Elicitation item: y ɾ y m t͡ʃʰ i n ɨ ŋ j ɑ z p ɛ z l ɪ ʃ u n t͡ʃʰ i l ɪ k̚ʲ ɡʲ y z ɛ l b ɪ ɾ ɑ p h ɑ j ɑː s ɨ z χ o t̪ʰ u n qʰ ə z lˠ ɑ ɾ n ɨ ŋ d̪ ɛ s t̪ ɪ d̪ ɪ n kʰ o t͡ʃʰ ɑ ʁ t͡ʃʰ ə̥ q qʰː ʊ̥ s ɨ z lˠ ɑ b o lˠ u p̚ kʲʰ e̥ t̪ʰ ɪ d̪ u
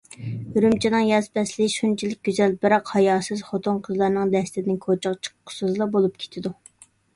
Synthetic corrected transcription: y ɾ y m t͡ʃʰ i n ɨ ŋ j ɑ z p ɛ s l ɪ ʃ u n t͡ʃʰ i l ɪ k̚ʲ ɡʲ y z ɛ l b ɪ ɾ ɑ q h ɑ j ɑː s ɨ z χ o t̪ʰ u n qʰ ə z lˠ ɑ ɾ n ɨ ŋ d̪ ɛ s t̪ ɪ d̪ ɪ n kʰ o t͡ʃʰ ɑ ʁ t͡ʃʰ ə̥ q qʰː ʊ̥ s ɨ z lˠ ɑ b o lˠ u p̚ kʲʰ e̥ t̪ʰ ɪ d̪ u